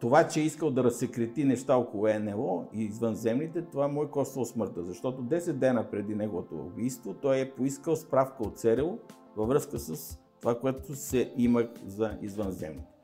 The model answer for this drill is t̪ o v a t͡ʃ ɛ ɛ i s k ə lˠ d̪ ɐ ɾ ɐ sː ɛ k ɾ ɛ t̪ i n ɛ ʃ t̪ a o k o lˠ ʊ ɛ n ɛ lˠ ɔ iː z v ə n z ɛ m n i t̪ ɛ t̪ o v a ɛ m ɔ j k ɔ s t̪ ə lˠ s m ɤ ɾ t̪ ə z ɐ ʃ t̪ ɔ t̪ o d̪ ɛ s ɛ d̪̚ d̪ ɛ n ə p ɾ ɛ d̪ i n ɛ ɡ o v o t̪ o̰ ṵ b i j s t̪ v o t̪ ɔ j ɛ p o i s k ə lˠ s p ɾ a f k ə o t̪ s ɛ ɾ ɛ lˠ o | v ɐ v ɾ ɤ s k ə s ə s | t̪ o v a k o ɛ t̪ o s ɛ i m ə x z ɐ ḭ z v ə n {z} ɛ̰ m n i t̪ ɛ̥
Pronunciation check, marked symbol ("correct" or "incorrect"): correct